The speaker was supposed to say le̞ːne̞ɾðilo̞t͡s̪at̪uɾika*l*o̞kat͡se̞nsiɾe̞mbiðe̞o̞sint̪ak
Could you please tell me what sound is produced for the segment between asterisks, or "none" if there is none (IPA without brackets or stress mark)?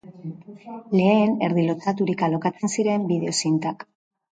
l